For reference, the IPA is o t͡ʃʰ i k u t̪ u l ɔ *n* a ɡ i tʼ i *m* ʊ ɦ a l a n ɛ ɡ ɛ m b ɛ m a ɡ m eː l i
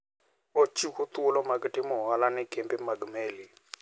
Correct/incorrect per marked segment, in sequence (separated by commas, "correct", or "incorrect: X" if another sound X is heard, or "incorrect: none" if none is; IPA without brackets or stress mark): incorrect: m, correct